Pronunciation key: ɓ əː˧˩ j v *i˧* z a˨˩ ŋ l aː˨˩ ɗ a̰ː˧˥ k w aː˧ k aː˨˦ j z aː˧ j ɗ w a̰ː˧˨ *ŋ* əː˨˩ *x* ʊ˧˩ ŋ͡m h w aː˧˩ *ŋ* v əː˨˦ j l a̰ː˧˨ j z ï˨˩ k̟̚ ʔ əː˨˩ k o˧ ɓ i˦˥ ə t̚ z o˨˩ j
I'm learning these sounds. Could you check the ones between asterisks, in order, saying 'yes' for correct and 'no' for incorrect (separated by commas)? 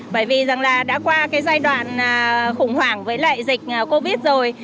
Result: no, no, yes, yes